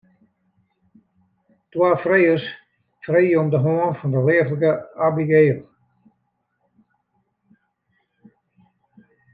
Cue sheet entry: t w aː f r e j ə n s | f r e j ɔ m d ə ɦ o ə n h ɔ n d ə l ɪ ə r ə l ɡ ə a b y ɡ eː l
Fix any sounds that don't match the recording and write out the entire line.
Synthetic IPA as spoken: t w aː f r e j ə s | f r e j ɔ m d ə ɦ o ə n f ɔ n d ə l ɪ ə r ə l ɡ ə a b i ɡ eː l